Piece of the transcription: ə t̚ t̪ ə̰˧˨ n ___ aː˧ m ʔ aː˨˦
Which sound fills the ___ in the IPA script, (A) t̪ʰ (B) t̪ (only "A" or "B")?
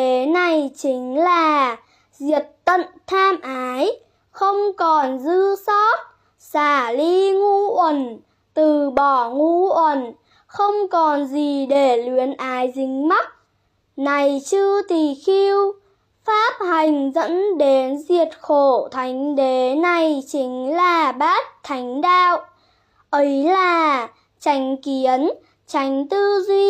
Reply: A